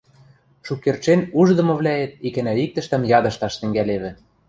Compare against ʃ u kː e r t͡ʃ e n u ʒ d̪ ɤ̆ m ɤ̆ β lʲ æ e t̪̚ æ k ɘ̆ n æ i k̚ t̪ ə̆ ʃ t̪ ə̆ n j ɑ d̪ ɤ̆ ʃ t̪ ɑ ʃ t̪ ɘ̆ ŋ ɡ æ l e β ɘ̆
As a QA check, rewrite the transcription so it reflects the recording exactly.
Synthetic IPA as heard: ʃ u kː e r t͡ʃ e n u ʒ d̪ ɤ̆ m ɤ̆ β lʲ æ e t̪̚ i k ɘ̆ n æ i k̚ t̪ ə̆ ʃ t̪ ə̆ m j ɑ d̪ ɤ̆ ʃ t̪ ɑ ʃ t̪ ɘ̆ ŋ ɡ æ l e β ɘ̆